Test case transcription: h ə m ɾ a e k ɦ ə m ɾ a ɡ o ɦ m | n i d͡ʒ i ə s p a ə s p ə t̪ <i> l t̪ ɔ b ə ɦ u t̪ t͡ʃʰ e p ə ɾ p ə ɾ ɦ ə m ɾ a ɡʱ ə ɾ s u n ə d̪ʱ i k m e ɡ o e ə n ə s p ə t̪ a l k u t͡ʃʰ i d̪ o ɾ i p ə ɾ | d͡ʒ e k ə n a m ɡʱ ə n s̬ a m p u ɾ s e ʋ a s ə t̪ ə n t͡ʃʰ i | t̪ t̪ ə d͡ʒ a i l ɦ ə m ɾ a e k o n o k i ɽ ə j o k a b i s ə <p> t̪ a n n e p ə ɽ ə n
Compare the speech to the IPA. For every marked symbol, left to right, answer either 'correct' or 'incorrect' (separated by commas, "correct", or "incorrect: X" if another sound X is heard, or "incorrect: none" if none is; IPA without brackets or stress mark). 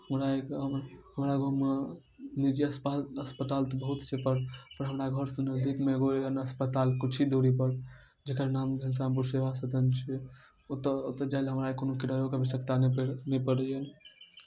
incorrect: a, incorrect: k